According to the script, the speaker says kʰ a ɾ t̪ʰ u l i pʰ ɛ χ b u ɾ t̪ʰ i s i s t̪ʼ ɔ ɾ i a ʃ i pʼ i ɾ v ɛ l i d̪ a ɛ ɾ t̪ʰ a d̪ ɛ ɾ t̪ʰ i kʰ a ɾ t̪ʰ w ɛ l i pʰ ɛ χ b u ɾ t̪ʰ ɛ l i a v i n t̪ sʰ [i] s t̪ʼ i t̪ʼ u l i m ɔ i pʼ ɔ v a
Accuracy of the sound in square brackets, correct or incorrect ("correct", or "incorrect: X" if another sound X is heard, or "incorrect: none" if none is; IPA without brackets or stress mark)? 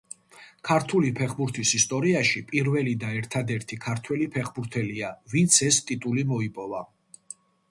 incorrect: ɛ